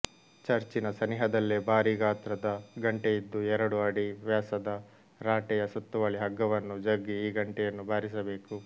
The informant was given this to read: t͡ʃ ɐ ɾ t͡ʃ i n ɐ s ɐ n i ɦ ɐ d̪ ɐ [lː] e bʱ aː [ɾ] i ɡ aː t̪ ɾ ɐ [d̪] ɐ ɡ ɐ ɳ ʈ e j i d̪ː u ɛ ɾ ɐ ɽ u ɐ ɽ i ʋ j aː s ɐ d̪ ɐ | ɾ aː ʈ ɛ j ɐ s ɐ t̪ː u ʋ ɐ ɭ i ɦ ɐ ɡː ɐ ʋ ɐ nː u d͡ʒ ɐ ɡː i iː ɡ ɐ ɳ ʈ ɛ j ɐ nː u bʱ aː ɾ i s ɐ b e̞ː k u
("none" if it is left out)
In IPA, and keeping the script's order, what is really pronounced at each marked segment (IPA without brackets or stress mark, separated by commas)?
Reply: lː, ɾ, d̪